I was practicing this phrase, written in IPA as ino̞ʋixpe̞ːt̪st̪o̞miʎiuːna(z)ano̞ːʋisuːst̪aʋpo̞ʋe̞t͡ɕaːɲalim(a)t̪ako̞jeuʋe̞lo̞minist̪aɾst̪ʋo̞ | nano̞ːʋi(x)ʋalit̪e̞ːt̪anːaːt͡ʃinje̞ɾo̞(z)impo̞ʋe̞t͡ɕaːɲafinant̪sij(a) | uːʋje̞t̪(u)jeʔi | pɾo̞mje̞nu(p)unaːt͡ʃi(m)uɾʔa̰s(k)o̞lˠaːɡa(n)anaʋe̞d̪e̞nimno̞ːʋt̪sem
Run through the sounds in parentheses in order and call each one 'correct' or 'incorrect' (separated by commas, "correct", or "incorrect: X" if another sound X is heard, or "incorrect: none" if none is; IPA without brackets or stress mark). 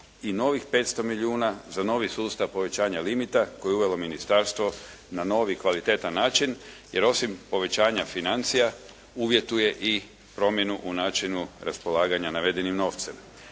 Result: correct, incorrect: i, incorrect: k, incorrect: s, correct, correct, incorrect: ʔ, incorrect: n, incorrect: p, incorrect: ɲ